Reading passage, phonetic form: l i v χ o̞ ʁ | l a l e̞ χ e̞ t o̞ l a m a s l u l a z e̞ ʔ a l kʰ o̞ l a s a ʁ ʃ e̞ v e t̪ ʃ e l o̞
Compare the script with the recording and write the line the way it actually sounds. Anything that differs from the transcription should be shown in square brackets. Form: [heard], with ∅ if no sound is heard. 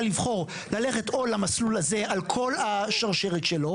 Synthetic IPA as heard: l i v χ o̞ ʁ | l a l e̞ χ e̞ t o̞ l a m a s l u l a z e̞ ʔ a l kʰ o̞ l a [ʃ] a ʁ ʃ e̞ [ʁ] e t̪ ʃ e l o̞